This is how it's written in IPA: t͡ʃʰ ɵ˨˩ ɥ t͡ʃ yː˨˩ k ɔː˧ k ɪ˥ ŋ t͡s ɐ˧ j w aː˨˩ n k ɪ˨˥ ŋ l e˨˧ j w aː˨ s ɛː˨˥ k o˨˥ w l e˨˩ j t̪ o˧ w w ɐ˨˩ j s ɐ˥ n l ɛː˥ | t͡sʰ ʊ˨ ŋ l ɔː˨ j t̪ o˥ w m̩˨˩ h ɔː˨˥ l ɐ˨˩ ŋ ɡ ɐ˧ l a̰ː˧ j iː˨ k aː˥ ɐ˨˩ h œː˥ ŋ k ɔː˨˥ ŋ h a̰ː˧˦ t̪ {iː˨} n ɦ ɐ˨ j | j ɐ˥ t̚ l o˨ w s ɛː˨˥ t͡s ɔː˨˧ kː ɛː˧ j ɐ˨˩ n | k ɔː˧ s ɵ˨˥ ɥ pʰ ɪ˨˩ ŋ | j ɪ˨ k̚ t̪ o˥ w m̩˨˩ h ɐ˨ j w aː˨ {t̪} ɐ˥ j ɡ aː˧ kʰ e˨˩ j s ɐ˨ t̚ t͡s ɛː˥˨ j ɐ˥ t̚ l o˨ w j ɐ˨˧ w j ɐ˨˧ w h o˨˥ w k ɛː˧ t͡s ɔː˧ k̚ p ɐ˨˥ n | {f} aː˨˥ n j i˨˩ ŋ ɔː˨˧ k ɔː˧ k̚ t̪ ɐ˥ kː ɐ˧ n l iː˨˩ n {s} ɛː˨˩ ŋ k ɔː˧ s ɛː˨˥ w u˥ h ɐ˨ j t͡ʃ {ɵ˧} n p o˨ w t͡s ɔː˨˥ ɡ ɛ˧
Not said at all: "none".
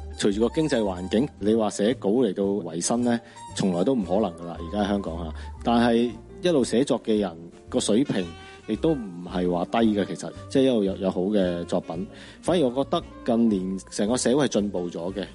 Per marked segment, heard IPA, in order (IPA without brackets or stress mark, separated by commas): aː˨, t̪, f, s, ɵ˧